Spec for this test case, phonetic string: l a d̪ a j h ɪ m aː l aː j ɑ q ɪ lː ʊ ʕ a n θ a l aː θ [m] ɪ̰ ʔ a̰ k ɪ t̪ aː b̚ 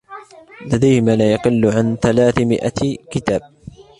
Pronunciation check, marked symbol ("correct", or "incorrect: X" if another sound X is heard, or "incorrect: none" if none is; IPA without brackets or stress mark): correct